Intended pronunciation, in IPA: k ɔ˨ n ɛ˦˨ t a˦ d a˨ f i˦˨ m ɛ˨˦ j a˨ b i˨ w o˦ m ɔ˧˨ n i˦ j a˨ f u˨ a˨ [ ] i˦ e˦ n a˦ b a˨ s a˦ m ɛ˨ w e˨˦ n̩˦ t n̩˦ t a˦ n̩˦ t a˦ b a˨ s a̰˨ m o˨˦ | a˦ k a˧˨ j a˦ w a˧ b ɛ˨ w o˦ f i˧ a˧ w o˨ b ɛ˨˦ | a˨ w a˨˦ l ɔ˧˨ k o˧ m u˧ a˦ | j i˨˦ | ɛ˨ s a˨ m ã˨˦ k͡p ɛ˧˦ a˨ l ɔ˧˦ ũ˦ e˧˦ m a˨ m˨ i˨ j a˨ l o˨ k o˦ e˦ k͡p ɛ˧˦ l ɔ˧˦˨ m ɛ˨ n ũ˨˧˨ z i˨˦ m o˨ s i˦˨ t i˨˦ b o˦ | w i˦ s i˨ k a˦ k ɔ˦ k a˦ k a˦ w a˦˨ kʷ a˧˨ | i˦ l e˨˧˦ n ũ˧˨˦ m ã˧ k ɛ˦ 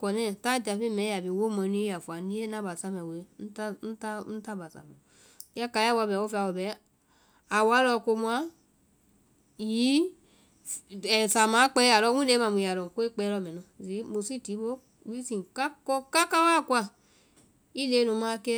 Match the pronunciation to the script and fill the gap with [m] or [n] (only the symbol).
n